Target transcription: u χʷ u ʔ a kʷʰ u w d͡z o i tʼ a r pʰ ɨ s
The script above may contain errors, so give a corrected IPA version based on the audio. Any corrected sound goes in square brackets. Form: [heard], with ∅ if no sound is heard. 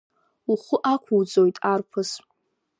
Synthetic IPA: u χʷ [ʊ] ʔ a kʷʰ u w d͡z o [j] tʼ a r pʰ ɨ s